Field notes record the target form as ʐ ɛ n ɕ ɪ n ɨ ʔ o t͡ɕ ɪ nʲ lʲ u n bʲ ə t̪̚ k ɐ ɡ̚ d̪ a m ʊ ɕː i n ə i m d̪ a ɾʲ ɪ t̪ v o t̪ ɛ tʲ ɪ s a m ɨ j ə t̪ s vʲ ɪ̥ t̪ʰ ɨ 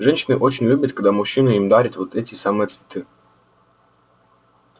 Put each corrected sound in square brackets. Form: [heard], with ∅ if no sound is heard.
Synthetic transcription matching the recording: ʐ ɛ n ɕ ɪ n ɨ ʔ o t͡ɕ ɪ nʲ lʲ u [∅] bʲ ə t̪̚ k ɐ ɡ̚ d̪ a m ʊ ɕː i n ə i m d̪ a ɾʲ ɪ t̪ v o t̪ ɛ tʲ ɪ s a m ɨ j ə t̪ s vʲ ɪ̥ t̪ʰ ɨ